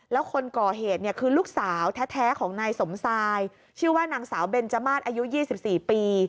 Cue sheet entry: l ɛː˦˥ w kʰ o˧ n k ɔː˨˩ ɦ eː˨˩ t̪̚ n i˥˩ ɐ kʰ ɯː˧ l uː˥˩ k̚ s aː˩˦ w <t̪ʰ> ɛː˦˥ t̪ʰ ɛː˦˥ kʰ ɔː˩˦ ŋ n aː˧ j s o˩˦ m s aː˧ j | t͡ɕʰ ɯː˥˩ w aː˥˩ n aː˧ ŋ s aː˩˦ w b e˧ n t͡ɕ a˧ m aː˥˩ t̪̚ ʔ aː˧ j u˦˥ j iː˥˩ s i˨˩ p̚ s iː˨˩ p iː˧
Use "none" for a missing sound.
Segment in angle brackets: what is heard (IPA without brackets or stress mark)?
t̪ʰ